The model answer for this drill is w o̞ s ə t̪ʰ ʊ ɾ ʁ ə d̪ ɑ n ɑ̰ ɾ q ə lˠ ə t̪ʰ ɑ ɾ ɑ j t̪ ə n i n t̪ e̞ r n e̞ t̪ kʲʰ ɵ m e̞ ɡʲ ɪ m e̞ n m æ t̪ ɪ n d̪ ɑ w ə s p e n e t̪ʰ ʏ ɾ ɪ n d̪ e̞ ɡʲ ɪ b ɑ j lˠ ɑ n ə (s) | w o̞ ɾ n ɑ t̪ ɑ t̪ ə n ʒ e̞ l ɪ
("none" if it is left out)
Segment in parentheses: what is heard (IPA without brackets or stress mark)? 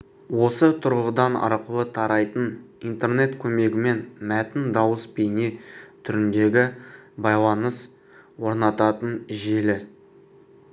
s